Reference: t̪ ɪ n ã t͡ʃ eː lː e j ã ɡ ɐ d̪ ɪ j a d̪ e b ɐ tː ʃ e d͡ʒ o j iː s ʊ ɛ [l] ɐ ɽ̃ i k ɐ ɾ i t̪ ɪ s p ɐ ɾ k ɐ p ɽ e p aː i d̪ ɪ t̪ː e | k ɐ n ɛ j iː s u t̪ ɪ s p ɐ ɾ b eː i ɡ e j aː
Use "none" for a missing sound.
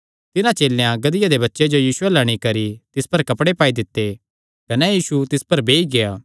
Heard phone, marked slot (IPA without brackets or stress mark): l